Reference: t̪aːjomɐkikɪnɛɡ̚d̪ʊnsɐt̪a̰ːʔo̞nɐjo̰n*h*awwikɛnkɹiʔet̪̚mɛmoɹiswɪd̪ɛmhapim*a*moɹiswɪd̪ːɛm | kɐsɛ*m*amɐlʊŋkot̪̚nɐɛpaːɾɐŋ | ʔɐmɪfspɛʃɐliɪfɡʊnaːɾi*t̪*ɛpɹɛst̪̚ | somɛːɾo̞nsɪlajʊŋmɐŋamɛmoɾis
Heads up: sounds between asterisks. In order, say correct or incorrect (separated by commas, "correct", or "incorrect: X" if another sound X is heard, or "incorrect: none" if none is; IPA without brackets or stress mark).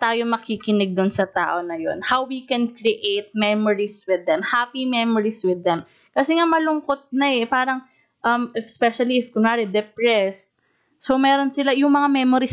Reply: correct, incorrect: ɛ, incorrect: ŋ, incorrect: d̪